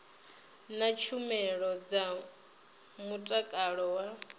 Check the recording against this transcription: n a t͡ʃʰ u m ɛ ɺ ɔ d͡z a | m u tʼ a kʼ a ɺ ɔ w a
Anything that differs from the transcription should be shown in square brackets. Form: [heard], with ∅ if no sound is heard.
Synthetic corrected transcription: n a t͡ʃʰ u m ɛ ɺ ɔ d͡z a | m u tʼ a kʼ a ɺ ɔ w a